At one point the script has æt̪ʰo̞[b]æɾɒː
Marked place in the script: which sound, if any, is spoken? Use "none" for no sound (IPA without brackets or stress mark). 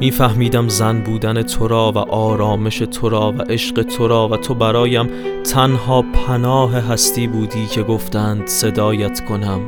b